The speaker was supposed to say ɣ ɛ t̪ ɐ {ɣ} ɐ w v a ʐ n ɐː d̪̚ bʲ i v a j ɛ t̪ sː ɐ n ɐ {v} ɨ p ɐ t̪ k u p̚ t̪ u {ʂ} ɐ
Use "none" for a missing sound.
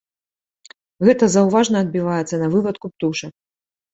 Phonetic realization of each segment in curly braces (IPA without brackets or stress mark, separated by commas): z, v, ʂ